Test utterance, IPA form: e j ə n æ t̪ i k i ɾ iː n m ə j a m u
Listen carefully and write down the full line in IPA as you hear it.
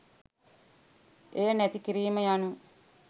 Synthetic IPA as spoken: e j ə n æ t̪ i k i ɾ iː m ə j a n u